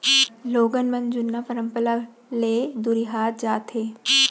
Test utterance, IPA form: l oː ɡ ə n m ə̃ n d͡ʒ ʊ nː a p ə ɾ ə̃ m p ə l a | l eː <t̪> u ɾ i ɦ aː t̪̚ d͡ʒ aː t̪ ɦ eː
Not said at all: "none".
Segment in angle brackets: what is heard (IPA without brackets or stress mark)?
d̪